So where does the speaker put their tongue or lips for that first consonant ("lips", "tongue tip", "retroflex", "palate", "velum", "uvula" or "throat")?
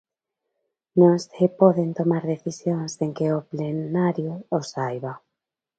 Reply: tongue tip